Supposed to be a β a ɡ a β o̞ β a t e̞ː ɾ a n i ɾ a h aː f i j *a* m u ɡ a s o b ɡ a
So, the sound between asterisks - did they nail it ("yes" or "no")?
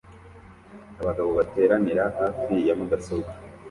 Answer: yes